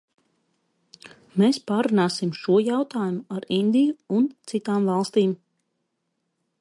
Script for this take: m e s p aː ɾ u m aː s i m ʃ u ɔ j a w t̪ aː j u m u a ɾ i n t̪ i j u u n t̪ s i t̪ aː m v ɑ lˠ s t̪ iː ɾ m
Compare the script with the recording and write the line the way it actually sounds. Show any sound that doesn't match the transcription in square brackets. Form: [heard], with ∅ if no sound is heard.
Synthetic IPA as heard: m e s p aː ɾ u [n] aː s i m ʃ u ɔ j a w t̪ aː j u m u a ɾ i n [d̪] i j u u n t̪ s i t̪ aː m v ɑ lˠ s t̪ iː [∅] m